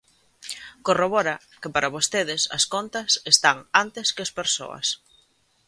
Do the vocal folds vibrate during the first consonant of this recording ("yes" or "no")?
no